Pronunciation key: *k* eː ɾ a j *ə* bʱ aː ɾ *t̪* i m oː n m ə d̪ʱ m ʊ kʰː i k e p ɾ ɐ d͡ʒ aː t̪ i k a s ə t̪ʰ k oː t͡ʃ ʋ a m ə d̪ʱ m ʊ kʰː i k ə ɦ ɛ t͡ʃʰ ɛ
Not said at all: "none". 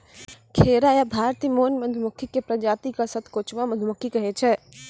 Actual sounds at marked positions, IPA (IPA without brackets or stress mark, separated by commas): kʰ, a, t̪